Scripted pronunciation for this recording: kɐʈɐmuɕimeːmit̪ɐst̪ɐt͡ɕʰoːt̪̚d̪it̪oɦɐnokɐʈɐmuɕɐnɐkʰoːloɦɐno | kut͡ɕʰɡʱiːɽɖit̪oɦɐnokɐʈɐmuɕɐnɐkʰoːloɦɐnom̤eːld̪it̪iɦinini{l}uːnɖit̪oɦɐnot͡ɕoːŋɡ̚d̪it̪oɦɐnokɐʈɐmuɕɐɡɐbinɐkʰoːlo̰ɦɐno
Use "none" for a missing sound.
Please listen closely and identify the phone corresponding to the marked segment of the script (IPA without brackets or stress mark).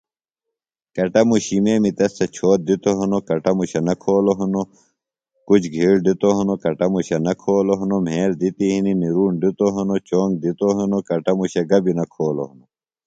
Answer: ɾ